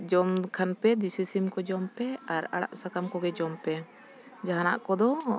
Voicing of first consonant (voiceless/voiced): voiced